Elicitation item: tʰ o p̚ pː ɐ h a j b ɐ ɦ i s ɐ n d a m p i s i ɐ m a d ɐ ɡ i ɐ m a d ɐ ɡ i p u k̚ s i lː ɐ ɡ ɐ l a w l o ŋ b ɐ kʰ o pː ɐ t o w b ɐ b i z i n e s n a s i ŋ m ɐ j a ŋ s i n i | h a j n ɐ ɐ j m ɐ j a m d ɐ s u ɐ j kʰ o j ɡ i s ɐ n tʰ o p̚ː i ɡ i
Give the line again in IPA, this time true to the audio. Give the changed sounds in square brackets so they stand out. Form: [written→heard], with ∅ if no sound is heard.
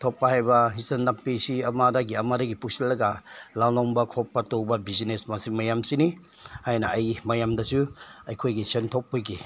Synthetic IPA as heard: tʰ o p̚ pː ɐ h a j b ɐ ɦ i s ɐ n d a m p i s i ɐ m a d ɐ ɡ i ɐ m a d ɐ ɡ i p u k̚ s i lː ɐ ɡ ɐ l a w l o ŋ b ɐ kʰ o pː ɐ t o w b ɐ b i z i n e s [n→m] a s i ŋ m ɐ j a [ŋ→m] s i n i | h a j n ɐ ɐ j m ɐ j a m d ɐ s u ɐ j kʰ o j ɡ i s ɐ n tʰ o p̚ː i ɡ i